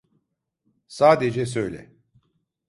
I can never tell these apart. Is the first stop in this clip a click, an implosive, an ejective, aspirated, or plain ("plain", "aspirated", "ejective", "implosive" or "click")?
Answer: plain